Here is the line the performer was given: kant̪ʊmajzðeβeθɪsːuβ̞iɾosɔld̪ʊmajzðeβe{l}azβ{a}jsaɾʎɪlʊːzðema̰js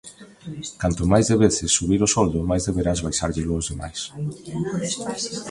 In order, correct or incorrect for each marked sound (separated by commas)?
incorrect, correct